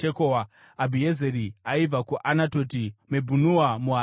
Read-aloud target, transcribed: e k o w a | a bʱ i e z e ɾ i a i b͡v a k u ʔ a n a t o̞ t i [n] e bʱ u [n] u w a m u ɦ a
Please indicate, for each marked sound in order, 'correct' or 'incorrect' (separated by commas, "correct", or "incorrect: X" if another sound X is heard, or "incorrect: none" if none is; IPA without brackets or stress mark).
incorrect: m, correct